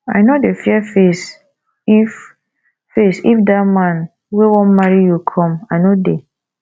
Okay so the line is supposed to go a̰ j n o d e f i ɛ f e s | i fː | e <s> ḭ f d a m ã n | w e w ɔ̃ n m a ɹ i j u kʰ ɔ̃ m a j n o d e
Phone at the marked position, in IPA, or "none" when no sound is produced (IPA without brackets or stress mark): s